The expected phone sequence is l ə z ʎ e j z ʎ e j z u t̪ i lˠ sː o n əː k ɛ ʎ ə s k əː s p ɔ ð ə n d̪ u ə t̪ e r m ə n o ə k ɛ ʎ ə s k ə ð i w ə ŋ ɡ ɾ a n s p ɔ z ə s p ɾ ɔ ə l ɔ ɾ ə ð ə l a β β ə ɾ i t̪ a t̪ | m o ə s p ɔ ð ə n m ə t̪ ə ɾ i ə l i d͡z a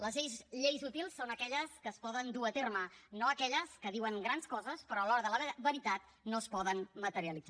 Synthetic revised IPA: l ə z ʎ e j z ʎ e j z u t̪ i lˠ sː o n ə k ɛ ʎ ə s k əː s p ɔ ð ə n d̪ u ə t̪ e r m ə n o ə k ɛ ʎ ə s k ə ð i w ə ŋ ɡ ɾ a n s k ɔ z ə s p ɾ ɔ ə l ɔ ɾ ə ð ə l ə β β ə ɾ i t̪ a t̪ | n o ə s p ɔ ð ə n m ə t̪ ə ɾ i ə l i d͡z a